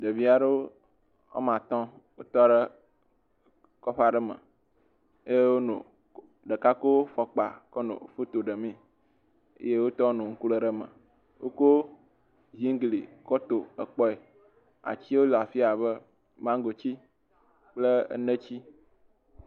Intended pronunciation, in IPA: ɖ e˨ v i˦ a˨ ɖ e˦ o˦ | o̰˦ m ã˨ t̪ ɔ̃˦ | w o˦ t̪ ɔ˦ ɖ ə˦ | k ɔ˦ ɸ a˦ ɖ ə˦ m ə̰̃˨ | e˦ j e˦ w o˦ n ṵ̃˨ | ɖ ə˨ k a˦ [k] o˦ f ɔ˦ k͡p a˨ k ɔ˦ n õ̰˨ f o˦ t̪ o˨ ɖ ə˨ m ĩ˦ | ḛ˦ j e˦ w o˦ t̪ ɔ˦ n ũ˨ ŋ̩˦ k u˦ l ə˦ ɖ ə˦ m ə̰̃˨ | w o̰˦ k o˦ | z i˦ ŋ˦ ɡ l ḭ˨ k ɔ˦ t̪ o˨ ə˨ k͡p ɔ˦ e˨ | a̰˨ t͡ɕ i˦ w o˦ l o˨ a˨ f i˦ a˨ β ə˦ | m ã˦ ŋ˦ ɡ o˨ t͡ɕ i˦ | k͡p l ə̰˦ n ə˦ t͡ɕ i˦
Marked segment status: correct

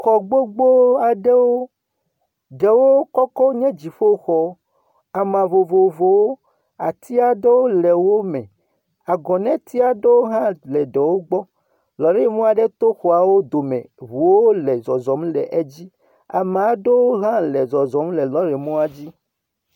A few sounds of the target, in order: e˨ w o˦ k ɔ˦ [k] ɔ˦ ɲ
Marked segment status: correct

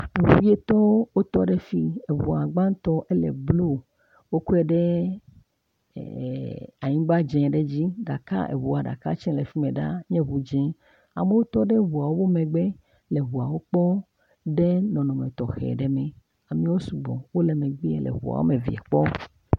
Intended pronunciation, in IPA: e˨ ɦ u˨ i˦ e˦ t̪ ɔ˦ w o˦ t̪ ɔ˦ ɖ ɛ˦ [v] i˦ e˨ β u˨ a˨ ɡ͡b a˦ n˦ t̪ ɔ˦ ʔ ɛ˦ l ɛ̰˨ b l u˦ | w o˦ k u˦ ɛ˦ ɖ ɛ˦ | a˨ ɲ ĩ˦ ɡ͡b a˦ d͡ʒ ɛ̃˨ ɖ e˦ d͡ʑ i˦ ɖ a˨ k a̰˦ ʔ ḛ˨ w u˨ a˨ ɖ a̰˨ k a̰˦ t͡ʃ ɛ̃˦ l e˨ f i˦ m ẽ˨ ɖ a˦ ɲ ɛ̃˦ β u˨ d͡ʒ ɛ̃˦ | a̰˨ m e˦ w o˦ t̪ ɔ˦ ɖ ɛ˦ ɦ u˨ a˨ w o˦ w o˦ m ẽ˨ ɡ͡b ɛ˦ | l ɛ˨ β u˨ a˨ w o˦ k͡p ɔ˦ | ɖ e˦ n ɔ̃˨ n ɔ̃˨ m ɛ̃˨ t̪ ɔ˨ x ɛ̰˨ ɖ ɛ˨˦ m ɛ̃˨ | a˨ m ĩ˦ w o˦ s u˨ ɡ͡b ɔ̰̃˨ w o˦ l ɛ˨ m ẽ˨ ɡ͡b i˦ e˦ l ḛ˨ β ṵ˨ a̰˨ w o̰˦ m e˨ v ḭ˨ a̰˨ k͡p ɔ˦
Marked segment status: incorrect: f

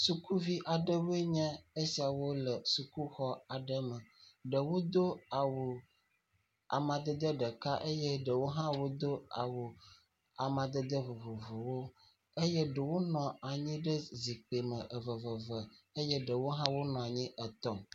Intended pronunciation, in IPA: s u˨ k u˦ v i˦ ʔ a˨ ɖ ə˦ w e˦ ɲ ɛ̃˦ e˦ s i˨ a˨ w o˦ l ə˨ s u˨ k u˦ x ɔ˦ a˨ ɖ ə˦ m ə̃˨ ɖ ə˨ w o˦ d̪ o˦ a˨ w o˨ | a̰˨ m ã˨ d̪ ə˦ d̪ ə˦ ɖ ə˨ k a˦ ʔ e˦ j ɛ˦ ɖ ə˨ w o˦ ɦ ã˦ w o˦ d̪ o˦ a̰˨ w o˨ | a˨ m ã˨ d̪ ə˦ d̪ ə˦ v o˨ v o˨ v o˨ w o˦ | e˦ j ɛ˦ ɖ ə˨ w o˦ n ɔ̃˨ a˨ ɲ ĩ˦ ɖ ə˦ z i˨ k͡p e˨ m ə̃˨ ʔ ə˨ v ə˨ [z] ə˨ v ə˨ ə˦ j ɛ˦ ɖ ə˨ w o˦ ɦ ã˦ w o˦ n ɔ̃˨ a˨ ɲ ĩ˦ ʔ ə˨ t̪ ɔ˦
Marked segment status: incorrect: v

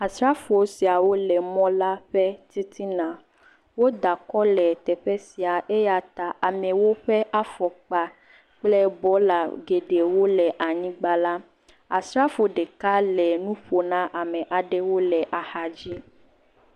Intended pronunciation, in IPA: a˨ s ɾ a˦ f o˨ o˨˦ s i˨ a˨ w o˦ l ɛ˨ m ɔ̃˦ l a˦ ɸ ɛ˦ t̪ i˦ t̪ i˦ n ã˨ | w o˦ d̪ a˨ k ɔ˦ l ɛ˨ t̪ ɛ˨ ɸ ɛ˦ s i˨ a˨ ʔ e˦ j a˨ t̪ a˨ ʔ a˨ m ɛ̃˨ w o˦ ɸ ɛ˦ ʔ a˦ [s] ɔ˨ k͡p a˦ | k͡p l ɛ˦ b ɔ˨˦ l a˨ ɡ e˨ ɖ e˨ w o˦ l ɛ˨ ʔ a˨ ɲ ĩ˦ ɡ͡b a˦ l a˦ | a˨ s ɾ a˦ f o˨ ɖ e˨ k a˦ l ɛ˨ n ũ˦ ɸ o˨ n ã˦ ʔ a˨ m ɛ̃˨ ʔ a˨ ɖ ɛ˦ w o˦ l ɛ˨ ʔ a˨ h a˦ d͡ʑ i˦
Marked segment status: incorrect: f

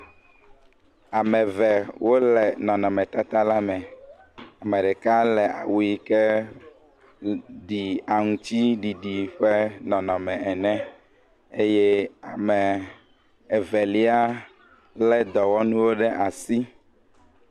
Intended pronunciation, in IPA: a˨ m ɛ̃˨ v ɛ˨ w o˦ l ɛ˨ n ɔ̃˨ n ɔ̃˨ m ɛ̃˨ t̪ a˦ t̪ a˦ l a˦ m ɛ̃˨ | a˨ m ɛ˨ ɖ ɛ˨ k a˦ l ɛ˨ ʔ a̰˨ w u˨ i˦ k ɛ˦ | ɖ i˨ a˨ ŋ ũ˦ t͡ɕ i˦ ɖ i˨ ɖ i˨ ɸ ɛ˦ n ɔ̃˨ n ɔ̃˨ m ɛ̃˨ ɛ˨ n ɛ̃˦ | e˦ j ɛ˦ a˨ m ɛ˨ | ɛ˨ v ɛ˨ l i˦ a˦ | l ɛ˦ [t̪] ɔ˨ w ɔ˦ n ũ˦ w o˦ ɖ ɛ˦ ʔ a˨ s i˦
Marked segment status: incorrect: d̪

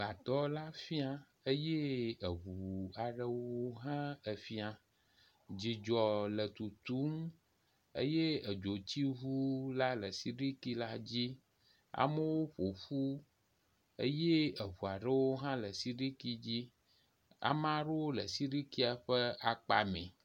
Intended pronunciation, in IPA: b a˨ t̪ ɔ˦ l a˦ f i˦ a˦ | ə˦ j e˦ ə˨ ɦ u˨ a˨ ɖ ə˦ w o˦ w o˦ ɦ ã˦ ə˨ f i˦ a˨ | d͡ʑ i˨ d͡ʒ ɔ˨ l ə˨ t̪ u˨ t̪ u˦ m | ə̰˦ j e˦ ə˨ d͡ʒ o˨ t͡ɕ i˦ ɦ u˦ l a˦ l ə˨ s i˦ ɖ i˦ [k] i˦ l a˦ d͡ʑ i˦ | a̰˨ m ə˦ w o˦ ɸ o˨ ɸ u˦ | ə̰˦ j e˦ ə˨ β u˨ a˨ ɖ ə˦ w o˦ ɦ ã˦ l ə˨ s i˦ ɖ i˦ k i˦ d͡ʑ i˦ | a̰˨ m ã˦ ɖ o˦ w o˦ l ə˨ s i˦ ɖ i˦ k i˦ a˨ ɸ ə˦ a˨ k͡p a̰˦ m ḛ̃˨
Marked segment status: correct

